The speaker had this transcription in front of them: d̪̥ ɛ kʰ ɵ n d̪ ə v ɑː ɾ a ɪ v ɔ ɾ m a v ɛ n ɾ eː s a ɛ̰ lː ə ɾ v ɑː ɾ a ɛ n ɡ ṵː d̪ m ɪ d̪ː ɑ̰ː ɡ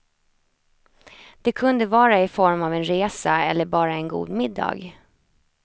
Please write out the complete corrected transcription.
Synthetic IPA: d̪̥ ɛ kʰ ɵ n d̪ ə v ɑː ɾ a ɪ f ɔ ɾ m a v ɛ n ɾ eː s a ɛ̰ lː ə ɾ b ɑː ɾ a ɛ n ɡ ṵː d̪ m ɪ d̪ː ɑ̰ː ɡ